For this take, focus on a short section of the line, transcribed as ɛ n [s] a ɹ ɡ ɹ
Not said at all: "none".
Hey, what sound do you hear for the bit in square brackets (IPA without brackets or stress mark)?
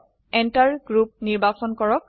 t